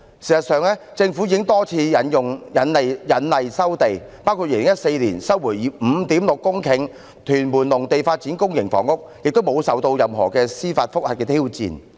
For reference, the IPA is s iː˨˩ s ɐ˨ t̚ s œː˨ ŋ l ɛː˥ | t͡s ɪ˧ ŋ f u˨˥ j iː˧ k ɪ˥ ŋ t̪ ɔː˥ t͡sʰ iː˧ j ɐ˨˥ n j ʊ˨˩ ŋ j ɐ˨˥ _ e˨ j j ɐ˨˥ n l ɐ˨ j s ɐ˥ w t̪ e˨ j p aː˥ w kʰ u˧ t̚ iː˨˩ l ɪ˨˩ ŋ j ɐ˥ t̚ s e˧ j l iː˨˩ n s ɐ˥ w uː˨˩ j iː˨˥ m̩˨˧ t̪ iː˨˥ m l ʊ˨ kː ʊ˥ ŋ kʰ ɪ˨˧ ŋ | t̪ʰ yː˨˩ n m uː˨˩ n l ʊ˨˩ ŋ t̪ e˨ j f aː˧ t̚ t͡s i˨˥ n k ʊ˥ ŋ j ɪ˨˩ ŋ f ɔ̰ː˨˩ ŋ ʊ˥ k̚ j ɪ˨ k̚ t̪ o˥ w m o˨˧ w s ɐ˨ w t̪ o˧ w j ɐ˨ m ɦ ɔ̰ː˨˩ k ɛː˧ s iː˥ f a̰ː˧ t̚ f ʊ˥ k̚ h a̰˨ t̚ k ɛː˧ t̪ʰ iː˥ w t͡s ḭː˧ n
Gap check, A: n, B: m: A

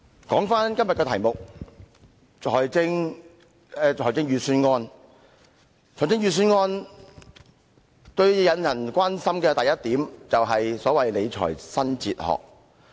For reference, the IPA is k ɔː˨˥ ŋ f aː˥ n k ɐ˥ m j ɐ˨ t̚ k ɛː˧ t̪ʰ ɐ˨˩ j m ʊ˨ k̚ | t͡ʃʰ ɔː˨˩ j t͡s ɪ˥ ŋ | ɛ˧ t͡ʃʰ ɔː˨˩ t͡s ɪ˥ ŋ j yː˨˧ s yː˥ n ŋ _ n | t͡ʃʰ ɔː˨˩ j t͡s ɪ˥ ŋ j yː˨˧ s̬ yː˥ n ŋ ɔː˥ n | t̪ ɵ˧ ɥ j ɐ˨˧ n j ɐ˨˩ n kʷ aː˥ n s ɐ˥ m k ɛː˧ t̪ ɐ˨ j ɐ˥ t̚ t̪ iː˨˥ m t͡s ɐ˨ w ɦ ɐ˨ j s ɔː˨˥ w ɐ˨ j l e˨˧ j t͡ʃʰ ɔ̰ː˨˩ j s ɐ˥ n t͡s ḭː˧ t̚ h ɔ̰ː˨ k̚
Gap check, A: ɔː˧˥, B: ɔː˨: A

